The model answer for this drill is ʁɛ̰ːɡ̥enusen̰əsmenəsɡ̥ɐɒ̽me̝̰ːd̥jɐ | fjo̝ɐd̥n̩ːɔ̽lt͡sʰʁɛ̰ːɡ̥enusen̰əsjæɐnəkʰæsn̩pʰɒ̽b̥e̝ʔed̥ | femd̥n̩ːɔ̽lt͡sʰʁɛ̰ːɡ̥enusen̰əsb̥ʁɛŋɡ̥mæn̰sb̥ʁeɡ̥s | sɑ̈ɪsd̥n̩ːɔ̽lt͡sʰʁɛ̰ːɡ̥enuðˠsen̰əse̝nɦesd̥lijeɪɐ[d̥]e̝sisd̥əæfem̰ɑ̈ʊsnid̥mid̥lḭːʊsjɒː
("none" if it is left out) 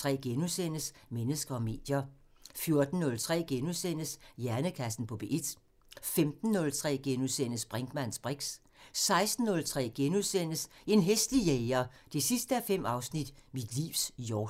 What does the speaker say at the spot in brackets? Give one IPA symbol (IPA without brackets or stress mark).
d̥